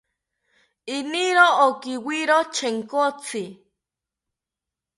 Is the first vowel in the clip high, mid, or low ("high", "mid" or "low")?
high